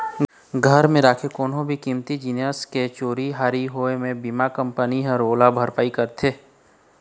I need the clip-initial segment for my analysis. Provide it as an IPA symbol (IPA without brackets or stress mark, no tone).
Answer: ɡʱ